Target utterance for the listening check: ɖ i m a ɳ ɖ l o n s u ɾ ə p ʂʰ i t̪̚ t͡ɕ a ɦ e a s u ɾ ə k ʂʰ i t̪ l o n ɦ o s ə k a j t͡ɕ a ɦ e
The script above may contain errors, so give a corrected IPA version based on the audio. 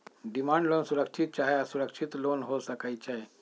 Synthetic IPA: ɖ i m a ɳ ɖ l o n s u ɾ ə k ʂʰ i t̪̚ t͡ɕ a ɦ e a s u ɾ ə k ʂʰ i t̪ l o n ɦ o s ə k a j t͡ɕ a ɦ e